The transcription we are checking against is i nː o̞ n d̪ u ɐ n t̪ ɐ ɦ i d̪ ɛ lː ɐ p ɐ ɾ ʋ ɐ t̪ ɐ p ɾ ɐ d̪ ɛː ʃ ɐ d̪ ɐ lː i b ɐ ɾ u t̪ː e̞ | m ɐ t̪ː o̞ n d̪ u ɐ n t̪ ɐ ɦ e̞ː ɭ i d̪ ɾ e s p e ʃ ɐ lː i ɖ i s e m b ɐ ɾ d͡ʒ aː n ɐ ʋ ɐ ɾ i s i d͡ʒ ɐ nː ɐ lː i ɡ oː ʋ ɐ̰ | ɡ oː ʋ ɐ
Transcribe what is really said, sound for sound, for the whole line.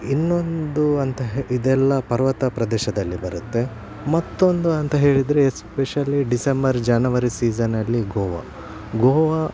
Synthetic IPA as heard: i nː o̞ n d̪ u ɐ n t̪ ɐ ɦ i d̪ ɛ lː ɐ p ɐ ɾ ʋ ɐ t̪ ɐ p ɾ ɐ d̪ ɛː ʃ ɐ d̪ ɐ lː i b ɐ ɾ u t̪ː e̞ | m ɐ t̪ː o̞ n d̪ u ɐ n t̪ ɐ ɦ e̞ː ɭ i d̪ ɾ e s p e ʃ ɐ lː i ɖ i s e m b ɐ ɾ d͡ʒ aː n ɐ ʋ ɐ ɾ i s iː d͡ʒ ɐ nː ɐ lː i ɡ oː ʋ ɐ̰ | ɡ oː ʋ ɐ